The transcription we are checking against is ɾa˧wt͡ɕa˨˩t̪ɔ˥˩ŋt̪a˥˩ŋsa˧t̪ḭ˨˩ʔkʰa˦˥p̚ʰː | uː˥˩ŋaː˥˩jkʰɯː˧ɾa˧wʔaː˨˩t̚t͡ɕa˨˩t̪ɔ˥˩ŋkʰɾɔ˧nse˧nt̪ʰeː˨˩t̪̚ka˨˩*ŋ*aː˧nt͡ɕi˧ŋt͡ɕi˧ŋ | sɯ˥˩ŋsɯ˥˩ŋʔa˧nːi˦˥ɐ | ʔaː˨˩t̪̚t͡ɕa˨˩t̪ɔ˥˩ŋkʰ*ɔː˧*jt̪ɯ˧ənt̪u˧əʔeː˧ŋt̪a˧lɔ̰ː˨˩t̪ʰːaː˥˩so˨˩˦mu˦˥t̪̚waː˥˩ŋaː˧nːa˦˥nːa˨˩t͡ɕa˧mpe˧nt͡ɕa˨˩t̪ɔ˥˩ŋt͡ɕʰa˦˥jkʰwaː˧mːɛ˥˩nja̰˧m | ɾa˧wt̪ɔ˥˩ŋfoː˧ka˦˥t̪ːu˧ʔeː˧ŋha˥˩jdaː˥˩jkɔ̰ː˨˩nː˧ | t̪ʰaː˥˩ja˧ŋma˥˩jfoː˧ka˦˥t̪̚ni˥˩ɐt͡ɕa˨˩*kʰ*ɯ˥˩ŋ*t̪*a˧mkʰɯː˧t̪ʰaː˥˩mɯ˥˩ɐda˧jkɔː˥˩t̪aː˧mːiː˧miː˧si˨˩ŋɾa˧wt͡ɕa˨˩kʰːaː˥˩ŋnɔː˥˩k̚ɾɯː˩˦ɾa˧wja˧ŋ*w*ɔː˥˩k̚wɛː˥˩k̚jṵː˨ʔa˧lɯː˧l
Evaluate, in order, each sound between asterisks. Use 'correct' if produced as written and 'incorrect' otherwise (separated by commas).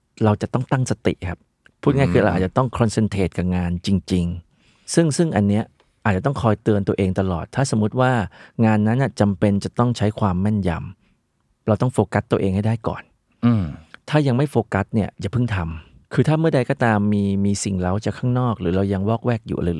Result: correct, correct, incorrect, incorrect, correct